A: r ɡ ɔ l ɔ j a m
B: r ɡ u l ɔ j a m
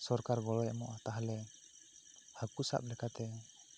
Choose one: A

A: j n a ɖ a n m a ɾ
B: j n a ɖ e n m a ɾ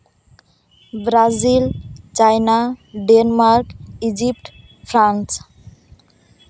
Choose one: B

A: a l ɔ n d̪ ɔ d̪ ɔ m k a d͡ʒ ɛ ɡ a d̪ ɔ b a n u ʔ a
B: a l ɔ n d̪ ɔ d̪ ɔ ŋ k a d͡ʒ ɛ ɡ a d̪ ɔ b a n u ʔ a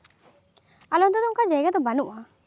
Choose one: B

